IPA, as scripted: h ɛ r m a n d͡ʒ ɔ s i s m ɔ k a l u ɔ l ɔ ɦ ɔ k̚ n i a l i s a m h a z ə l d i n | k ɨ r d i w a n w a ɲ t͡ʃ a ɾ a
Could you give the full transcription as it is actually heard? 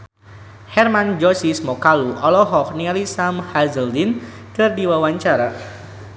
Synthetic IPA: h ɛ r m a n d͡ʒ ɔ s i s m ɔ k a l u ɔ l ɔ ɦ ɔ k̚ n i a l i s a m h a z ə l d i n | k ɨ r d i w a w a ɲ t͡ʃ a ɾ a